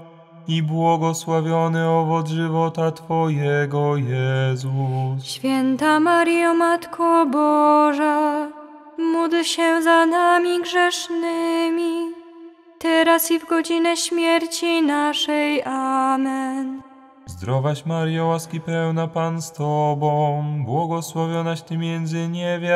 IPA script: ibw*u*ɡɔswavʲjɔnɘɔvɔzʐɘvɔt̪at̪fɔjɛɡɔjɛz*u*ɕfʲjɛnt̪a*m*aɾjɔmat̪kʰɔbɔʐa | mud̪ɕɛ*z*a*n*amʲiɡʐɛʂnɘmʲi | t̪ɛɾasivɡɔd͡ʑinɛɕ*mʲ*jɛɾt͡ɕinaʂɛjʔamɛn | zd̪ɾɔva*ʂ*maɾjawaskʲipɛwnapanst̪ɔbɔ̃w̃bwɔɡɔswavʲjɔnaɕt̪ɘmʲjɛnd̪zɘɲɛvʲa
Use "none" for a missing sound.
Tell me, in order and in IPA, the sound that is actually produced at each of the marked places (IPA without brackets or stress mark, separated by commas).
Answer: ɔ, u, m, z, n, mʲ, ɕ